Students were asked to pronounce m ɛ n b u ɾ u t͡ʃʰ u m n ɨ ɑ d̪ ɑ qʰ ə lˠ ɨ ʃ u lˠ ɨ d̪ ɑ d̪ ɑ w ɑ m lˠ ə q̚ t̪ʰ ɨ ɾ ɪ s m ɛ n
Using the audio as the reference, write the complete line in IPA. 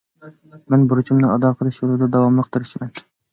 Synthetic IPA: m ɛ n b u ɾ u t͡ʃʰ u m n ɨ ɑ d̪ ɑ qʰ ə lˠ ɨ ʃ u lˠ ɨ d̪ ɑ d̪ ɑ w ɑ m lˠ ə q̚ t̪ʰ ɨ ɾ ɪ ʃ m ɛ n

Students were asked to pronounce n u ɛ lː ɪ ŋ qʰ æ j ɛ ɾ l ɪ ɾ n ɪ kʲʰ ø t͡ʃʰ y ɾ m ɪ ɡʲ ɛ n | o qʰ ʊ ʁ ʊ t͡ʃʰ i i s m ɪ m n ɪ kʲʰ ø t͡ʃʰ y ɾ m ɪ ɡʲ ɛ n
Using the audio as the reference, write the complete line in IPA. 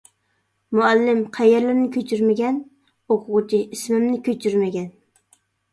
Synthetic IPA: m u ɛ lː ɪ m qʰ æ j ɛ ɾ l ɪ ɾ n ɪ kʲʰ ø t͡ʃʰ y ɾ m ɪ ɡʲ ɛ n | o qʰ ʊ ʁ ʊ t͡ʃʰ i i s m ɪ m n ɪ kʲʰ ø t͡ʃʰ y ɾ m ɪ ɡʲ ɛ n

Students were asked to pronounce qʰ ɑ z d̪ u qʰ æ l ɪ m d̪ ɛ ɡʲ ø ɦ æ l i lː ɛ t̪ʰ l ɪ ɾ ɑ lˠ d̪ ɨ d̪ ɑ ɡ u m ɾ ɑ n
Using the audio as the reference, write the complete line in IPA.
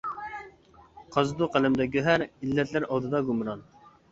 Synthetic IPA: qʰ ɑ z d̪ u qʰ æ l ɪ m d̪ ɛ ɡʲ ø ɦ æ ɾ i lː ɛ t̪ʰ l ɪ ɾ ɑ lˠ d̪ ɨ d̪ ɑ ɡ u m ɾ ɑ n

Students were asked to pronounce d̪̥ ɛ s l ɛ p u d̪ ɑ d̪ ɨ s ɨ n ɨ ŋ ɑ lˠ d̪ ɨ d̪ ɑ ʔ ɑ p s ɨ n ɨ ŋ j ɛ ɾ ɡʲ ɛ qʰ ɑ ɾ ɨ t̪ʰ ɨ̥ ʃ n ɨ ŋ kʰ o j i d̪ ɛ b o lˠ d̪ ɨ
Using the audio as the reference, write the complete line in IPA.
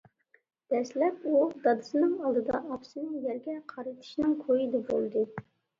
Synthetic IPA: d̪̥ ɛ s l ɛ p u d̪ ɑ d̪ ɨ s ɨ n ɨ ŋ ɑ lˠ d̪ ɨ d̪ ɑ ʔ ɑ p s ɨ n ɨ ŋ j ɛ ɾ ɡʲ ɛ qʰ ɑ ɾ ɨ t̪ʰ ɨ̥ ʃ n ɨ ŋ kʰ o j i d̪ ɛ b o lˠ d̪ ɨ

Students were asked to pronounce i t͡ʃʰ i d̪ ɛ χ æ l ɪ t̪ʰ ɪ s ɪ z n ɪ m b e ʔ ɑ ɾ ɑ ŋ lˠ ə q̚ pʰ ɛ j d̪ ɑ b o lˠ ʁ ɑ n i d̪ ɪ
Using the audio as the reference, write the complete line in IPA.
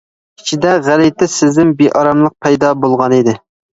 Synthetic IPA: i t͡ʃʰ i d̪ ɛ ʁ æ l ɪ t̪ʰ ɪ s ɪ z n ɪ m b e ʔ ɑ ɾ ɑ m lˠ ə q̚ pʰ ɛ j d̪ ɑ b o lˠ ʁ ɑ n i d̪ ɪ

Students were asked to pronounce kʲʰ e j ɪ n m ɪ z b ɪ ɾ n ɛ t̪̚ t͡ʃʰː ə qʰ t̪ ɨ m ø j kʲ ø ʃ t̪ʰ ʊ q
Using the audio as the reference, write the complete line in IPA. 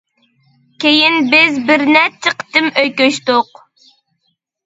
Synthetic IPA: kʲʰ e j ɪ n b ɪ z b ɪ ɾ n ɛ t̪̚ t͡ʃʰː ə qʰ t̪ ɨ m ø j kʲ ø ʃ t̪ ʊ q

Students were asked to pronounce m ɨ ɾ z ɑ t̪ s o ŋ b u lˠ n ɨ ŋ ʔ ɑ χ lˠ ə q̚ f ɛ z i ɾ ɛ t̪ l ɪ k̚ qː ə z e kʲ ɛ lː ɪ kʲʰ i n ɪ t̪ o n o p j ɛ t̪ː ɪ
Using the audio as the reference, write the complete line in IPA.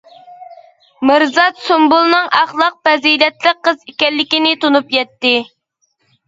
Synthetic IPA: m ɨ ɾ z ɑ t̪ s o m b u lˠ n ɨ ŋ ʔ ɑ χ lˠ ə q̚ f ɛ z i l ɛ t̪ l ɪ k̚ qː ə z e kʲ ɛ lː ɪ kʲ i n ɪ t̪ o n u p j ɛ t̪ː ɪ

